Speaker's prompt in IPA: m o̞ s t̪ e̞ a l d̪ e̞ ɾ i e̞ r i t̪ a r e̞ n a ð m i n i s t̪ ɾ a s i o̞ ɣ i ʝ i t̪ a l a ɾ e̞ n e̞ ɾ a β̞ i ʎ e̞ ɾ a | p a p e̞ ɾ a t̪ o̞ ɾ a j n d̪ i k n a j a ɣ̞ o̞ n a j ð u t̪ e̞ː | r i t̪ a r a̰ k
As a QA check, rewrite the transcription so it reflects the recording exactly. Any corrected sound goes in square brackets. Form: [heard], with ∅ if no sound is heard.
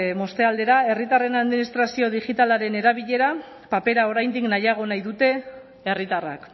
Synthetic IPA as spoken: m o̞ s t̪ e̞ a l d̪ e̞ ɾ [a] e̞ r i t̪ a r e̞ n a ð m i n i s t̪ ɾ a s i o̞ [ð] i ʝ i t̪ a l a ɾ e̞ n e̞ ɾ a β̞ i ʎ e̞ ɾ a | p a p e̞ ɾ a [∅] o̞ ɾ a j n d̪ i k n a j a ɣ̞ o̞ n a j ð u t̪ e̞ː | r i t̪ a r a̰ k

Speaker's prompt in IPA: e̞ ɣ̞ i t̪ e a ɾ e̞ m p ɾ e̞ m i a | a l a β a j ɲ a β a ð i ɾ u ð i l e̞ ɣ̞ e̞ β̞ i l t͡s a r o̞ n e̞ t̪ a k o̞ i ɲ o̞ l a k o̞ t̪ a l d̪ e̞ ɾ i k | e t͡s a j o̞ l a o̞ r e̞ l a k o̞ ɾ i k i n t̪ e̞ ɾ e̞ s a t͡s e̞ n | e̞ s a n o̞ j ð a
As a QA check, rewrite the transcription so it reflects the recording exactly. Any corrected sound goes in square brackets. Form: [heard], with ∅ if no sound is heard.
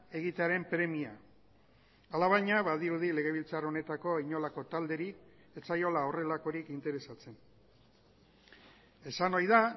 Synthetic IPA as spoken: e̞ ɣ̞ i t̪ e a ɾ e̞ m p ɾ e̞ m i a | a l a β a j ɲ a β a ð i ɾ u ð i l e̞ ɣ̞ e̞ β̞ i l t͡s a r o̞ n e̞ t̪ a k o̞ i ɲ o̞ l a k o̞ t̪ a l d̪ e̞ ɾ i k | e t͡s a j o̞ l a o̞ r e̞ l a k o̞ ɾ i k i n t̪ e̞ ɾ e̞ s a t͡s e̞ n | e̞ s a n o̞ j ð a

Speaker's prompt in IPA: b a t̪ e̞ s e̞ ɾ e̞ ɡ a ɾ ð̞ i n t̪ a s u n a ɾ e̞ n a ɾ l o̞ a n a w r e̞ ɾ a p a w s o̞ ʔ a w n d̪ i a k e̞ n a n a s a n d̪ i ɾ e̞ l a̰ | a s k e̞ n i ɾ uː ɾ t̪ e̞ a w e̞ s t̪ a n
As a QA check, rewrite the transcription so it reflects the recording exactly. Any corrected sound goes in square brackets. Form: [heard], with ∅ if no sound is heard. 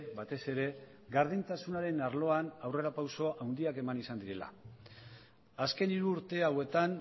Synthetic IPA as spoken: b a t̪ e̞ s e̞ ɾ e̞ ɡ a ɾ ð̞ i n t̪ a s u n a ɾ e̞ n a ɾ l o̞ a n a w r e̞ ɾ a p a w s o̞ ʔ a w n d̪ i a k e̞ [m] a n [i] s a n d̪ i ɾ e̞ l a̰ | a s k e̞ n i ɾ uː ɾ t̪ e̞ a w e̞ [∅] t̪ a n

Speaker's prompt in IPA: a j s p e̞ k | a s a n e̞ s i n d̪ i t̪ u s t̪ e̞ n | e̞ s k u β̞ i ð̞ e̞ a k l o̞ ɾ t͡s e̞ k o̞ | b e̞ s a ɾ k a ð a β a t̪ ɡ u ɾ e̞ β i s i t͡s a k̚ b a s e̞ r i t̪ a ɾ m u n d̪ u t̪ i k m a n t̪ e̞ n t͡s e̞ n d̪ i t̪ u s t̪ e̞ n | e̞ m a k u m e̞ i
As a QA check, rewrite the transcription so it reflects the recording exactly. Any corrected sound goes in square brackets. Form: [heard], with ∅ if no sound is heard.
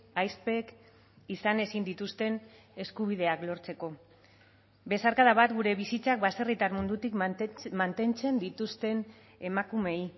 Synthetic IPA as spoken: a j s p e̞ k | [i] s a n e̞ s i n d̪ i t̪ u s t̪ e̞ n | e̞ s k u β̞ i ð̞ e̞ a k l o̞ ɾ t͡s e̞ k o̞ | b e̞ s a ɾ k a ð a β a t̪ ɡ u ɾ e̞ β i s i t͡s a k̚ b a s e̞ r i t̪ a ɾ m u n d̪ u t̪ i k m a n t̪ e̞ n t͡s e̞ n d̪ i t̪ u s t̪ e̞ n | e̞ m a k u m e̞ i

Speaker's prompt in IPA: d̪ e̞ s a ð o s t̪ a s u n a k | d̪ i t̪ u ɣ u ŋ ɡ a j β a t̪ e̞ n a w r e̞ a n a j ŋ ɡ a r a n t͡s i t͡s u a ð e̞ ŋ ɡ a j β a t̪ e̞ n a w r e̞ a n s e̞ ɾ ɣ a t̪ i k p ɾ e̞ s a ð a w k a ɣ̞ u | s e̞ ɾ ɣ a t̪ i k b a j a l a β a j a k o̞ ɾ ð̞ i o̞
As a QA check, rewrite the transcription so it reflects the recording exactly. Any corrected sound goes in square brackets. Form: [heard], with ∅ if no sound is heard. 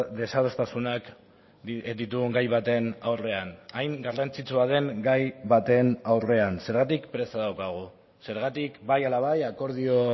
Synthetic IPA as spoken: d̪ e̞ s a ð o s t̪ a s u n a k | d̪ i t̪ u ɣ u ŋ ɡ a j β a t̪ e̞ n a w r e̞ a n a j ŋ ɡ a r a n t͡s i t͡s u a ð e̞ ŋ ɡ a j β a t̪ e̞ n a w r e̞ a n s e̞ ɾ ɣ a t̪ i k p ɾ e̞ s a ð a w k a ɣ̞ u | s e̞ ɾ ɣ a t̪ i k b a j a l a β a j a k o̞ ɾ ð̞ i o̞

